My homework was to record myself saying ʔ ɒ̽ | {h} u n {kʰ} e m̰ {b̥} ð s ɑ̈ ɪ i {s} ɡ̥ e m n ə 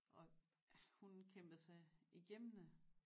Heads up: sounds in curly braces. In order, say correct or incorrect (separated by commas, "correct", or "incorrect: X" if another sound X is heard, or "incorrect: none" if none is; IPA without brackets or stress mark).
correct, correct, correct, incorrect: none